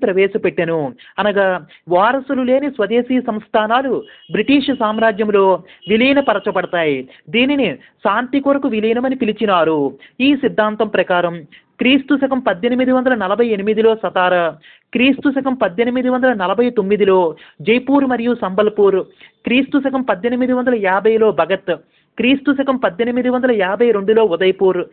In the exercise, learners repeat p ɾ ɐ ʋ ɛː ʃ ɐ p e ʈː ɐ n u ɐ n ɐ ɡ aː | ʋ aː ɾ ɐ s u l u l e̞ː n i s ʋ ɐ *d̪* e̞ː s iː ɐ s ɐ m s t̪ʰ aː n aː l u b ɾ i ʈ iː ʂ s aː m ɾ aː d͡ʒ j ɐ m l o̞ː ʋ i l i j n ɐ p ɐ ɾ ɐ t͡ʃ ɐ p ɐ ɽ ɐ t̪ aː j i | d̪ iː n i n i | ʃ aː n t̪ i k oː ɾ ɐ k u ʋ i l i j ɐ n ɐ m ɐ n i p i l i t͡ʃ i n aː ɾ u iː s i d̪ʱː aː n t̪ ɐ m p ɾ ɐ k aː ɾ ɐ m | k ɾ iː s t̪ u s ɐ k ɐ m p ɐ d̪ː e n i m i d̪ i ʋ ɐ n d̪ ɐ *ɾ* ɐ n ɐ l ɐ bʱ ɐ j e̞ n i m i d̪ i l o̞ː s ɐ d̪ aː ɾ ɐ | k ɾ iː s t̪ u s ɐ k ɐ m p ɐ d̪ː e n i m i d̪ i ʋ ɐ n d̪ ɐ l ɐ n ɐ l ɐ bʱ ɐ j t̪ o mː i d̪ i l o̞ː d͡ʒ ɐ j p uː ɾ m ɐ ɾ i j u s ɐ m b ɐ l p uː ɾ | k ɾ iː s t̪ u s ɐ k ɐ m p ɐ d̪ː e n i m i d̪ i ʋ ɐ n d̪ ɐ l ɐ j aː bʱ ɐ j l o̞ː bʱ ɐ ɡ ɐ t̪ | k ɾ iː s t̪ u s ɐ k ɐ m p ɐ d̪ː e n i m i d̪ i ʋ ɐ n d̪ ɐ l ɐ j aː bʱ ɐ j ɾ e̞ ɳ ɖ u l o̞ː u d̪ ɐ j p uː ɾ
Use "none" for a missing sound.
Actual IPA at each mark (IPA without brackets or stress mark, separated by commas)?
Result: d̪, l